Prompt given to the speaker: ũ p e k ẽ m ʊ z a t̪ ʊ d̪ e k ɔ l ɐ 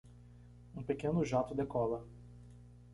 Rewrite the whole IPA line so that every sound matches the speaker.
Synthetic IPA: ũ p e k ẽ n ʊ ʒ a t̪ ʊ d̪ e k ɔ l ɐ